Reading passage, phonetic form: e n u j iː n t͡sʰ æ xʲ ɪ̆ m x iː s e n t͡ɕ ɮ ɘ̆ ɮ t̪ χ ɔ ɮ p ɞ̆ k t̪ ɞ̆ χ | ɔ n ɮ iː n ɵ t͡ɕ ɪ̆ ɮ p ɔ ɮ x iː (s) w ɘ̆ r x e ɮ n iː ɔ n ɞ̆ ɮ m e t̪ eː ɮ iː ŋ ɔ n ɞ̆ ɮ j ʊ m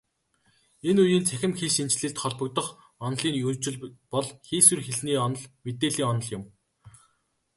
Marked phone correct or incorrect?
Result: correct